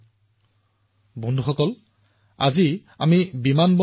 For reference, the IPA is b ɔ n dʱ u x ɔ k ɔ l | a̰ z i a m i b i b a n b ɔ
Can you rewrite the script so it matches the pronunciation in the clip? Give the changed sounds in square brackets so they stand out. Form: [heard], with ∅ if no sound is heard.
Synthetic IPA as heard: b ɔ n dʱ u x ɔ k ɔ l | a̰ z i a m i b i [m] a n b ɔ